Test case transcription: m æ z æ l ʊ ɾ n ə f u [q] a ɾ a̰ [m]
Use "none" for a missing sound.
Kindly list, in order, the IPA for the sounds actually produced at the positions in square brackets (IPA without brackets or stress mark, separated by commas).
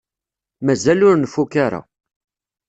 k, none